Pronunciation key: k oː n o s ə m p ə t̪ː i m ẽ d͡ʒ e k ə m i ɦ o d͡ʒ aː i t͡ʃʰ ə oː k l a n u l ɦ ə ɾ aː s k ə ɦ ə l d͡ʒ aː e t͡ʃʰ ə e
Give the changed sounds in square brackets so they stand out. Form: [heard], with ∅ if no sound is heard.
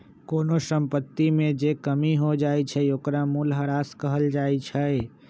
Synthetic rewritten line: k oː n o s ə m p ə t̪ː i m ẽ d͡ʒ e k ə m i ɦ o d͡ʒ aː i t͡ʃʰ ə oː k [ɾ] a [m] u l ɦ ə ɾ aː s k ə ɦ ə l d͡ʒ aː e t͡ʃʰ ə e